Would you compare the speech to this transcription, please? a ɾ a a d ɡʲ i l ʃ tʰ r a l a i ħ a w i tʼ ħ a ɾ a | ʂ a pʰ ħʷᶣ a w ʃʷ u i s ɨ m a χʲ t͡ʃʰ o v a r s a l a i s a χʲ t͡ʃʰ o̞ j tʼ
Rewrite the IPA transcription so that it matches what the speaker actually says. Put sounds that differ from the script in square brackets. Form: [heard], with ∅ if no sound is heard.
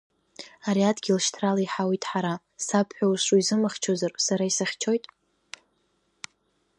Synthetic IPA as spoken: a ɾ [i] a d ɡʲ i l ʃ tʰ r a l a i ħ a w i tʼ ħ a ɾ a | [s] a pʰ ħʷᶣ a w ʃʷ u i [z] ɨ m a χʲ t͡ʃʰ o [z] a r s a [ɾ] a i s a χʲ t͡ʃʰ o̞ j tʼ